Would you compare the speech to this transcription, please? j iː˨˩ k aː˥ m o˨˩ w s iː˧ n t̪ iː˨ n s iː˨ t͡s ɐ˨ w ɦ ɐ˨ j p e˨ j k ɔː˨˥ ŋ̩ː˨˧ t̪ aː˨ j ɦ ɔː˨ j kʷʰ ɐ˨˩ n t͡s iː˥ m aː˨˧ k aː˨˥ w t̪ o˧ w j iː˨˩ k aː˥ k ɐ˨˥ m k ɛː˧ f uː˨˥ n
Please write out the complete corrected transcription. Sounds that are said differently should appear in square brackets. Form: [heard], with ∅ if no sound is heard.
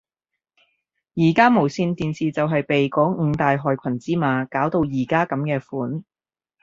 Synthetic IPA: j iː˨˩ k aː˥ m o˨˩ w s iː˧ n t̪ iː˨ n s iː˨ t͡s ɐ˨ w ɦ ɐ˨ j p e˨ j k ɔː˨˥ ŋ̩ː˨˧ t̪ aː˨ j ɦ ɔː˨ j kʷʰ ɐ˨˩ n t͡s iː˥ m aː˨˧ k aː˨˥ w t̪ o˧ w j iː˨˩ k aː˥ k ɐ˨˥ m k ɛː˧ f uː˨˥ n